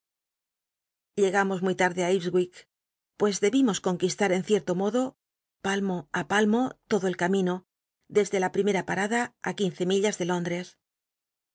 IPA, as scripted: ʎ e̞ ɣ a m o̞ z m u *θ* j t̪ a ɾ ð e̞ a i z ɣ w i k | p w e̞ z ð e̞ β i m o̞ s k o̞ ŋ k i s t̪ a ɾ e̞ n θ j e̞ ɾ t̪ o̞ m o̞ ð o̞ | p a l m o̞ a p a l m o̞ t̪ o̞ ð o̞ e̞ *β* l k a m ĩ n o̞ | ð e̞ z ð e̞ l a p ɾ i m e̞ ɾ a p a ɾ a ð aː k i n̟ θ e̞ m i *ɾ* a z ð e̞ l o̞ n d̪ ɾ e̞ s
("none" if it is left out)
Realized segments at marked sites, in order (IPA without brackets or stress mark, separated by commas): none, none, ʎ